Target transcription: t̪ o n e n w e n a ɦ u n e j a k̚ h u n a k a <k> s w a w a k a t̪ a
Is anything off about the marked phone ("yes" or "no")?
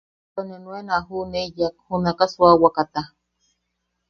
yes